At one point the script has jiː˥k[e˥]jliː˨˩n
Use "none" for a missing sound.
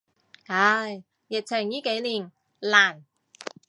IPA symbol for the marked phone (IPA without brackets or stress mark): e˨˥